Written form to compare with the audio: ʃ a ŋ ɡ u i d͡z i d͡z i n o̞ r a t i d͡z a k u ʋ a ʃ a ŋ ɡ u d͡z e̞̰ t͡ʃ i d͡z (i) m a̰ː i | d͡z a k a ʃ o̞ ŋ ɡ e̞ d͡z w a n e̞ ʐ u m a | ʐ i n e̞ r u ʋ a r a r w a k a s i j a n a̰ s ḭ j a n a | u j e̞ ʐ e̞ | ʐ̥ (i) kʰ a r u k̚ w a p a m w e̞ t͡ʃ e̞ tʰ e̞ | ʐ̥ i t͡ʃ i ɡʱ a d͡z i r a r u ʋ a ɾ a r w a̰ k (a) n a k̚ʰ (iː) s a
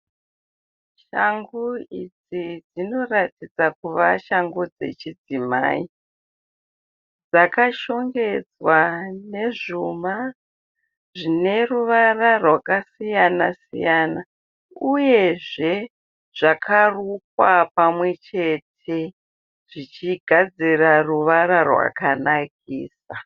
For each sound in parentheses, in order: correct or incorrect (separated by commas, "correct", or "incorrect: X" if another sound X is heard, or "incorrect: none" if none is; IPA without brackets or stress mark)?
correct, incorrect: a, correct, correct